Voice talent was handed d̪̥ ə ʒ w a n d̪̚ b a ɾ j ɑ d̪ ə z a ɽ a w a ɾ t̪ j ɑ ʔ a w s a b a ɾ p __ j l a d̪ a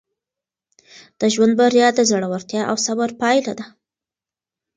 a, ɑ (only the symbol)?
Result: ɑ